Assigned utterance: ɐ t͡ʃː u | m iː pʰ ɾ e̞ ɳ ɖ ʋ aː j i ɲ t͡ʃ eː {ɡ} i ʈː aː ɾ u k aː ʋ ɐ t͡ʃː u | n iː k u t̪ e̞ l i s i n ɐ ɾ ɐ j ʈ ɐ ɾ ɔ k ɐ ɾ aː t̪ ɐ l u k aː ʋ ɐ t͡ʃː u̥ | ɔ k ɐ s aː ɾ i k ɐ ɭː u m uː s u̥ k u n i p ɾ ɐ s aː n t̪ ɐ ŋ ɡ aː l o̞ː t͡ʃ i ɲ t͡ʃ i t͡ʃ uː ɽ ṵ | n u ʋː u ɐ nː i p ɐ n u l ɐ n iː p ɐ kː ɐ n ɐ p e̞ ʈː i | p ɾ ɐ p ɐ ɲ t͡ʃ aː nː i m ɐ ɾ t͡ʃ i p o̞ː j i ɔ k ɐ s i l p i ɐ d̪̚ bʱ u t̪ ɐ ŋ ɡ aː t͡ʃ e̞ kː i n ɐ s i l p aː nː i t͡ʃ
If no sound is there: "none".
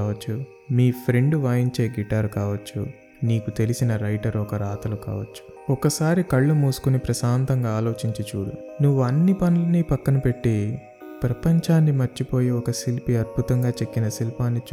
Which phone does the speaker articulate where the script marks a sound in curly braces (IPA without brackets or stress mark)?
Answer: ɡ